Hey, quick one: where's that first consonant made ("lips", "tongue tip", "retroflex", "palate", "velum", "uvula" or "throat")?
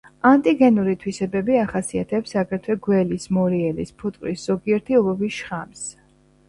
tongue tip